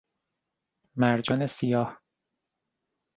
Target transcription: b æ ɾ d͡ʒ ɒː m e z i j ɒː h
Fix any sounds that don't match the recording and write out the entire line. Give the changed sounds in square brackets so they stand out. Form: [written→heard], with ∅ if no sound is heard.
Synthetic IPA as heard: [b→m] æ ɾ d͡ʒ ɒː [m→n] e [z→s] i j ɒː h